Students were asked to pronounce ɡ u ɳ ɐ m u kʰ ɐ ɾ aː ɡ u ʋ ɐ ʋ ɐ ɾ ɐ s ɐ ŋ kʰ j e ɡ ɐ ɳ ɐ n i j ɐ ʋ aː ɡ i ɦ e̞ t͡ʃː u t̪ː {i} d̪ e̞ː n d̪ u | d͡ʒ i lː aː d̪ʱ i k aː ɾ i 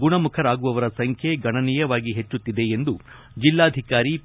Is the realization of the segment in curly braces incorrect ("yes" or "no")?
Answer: no